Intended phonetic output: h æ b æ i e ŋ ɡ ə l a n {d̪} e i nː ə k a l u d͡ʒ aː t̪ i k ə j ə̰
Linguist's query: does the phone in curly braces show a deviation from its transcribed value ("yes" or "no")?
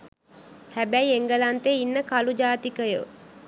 yes